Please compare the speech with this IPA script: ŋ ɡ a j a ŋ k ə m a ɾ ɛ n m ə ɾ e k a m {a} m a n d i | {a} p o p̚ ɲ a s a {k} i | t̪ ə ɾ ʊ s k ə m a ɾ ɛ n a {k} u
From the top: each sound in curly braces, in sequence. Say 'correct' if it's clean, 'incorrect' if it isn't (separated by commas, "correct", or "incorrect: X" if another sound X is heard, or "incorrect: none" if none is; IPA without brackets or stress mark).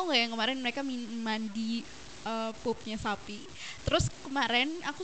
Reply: incorrect: i, incorrect: ə, incorrect: p, correct